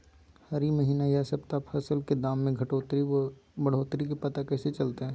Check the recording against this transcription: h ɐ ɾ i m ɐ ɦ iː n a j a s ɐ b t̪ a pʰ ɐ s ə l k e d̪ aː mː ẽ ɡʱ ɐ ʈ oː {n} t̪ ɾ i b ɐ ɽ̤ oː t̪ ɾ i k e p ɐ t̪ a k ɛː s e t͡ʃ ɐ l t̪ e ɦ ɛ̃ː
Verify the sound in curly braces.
incorrect: none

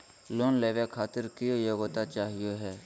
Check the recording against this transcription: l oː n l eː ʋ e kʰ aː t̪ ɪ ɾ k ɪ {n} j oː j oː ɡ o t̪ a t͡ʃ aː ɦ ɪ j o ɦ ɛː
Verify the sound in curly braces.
incorrect: none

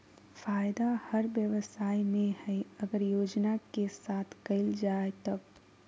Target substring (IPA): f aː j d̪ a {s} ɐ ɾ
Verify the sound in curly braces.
incorrect: h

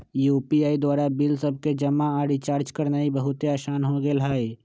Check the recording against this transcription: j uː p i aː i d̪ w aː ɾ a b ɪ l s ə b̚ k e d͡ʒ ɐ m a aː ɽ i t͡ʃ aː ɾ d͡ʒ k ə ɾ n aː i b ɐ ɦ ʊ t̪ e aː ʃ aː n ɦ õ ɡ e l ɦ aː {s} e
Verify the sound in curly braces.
incorrect: none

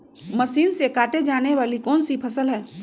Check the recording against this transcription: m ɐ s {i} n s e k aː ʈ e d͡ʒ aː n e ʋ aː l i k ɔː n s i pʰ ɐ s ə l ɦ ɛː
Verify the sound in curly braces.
incorrect: iː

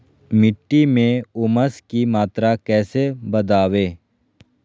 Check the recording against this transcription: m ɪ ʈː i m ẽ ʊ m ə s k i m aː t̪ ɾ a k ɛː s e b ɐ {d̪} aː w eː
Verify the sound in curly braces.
correct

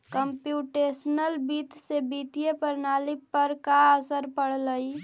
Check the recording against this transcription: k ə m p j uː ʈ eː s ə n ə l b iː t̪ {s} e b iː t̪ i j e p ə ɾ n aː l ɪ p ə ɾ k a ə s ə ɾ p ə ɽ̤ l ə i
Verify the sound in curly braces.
correct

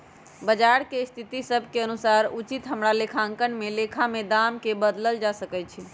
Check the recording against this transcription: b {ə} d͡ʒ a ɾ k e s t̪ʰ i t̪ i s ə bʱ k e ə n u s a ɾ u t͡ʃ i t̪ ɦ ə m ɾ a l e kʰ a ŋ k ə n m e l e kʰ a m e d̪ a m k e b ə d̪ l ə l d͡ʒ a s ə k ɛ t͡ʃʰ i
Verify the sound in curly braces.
correct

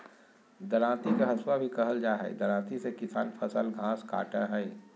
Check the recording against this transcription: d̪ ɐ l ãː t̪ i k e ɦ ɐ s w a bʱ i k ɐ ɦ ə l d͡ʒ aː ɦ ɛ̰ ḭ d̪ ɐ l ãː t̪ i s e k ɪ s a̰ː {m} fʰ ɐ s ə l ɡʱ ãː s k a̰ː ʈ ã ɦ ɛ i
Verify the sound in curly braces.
incorrect: n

